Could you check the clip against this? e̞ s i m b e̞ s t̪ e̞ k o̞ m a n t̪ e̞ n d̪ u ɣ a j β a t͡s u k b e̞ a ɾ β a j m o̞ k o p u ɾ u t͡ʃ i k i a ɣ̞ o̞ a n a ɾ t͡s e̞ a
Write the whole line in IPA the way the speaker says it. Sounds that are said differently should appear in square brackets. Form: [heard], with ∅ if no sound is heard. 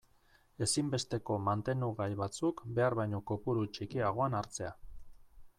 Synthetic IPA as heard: e̞ s i m b e̞ s t̪ e̞ k o̞ m a n t̪ e̞ n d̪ u ɣ a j β a t͡s u k b e̞ a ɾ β a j [ɲ] o̞ k o p u ɾ u t͡ʃ i k i a ɣ̞ o̞ a n a ɾ t͡s e̞ a